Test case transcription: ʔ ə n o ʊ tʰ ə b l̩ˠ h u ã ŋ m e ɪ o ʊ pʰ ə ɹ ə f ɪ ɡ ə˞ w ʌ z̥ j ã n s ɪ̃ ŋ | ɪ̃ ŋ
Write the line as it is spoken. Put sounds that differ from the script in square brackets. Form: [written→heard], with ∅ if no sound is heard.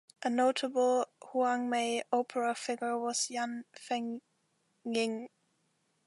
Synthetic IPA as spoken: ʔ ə n o ʊ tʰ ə b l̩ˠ h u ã ŋ m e ɪ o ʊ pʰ ə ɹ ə f ɪ ɡ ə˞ w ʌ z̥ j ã n [s→f] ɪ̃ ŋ | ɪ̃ ŋ